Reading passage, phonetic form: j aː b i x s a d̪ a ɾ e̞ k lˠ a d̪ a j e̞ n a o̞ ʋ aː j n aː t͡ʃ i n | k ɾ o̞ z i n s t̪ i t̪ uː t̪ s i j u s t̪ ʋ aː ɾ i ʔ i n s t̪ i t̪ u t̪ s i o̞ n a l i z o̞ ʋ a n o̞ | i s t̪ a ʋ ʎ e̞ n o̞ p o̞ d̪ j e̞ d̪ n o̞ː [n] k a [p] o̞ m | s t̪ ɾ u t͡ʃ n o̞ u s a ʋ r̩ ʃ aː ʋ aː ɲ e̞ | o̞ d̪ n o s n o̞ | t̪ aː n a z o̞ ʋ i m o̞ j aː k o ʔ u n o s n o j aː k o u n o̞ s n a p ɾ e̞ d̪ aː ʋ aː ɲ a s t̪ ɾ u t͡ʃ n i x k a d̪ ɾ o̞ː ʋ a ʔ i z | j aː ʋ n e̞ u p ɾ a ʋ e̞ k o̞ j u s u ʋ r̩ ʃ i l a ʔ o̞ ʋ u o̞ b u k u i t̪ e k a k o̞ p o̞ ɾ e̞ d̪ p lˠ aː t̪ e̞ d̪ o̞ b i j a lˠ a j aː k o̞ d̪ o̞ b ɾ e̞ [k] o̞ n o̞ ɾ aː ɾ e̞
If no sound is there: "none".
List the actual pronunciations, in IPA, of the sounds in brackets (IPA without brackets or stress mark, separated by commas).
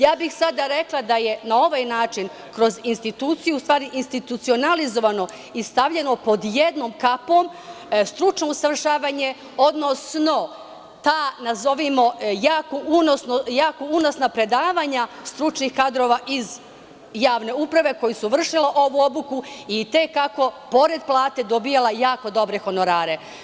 m, p, x